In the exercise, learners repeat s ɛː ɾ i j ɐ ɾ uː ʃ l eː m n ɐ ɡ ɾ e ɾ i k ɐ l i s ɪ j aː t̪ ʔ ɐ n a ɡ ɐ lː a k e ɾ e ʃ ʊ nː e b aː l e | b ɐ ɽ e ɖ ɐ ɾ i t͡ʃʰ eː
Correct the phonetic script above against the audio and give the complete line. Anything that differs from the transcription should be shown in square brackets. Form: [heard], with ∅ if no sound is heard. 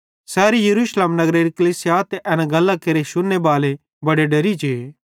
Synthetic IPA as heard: s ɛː ɾ i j ɐ ɾ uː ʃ l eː m n ɐ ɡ ɾ e ɾ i k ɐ l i s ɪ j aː t̪ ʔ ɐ n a ɡ ɐ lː a k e ɾ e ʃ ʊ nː e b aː l e | b ɐ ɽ e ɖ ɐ ɾ i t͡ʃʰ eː